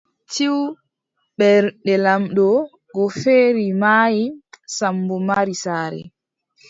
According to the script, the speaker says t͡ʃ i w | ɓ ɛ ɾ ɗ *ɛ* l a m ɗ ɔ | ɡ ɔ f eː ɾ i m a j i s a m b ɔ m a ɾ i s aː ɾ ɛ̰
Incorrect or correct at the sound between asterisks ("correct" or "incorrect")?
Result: correct